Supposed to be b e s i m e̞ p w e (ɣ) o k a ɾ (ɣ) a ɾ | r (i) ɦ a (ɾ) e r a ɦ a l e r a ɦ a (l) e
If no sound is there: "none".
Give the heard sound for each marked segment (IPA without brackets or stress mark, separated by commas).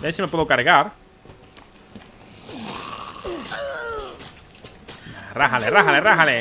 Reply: ð, ɣ, a, l, l